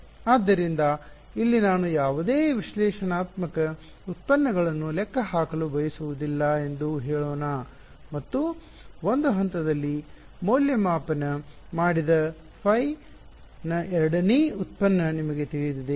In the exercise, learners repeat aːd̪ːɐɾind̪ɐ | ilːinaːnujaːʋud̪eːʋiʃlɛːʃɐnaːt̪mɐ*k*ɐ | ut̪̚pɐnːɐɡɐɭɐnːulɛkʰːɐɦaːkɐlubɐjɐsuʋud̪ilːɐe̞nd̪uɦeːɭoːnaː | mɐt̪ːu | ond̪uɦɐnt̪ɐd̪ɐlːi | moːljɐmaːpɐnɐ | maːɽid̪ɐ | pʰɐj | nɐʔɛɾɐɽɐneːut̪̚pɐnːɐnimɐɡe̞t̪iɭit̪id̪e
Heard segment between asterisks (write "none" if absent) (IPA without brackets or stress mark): k